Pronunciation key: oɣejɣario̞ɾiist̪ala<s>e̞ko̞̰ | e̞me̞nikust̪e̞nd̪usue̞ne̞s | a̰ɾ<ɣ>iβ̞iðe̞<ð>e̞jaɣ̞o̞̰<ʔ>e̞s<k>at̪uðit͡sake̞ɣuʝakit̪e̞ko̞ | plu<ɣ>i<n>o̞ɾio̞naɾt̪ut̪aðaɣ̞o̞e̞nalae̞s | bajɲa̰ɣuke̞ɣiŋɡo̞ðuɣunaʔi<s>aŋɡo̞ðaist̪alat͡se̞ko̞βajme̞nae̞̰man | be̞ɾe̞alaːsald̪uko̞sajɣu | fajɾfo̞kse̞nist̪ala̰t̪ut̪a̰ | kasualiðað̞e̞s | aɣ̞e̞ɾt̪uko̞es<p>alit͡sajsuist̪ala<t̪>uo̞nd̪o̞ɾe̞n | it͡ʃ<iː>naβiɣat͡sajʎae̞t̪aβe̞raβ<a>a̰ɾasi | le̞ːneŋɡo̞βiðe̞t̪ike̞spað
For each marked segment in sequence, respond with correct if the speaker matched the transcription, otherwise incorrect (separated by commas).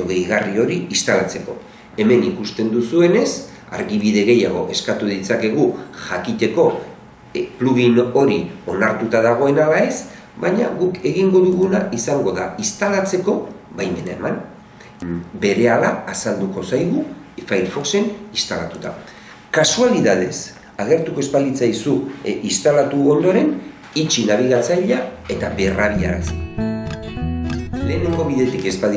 incorrect, correct, incorrect, correct, correct, correct, correct, correct, correct, correct, incorrect, incorrect